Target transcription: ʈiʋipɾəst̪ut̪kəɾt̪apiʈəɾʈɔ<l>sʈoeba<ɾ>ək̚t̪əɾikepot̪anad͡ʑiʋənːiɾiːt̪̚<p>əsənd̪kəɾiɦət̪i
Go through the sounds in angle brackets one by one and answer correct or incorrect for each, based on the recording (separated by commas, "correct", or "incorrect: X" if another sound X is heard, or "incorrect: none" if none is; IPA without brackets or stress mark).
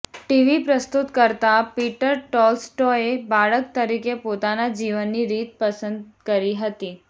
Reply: correct, incorrect: ɭ, correct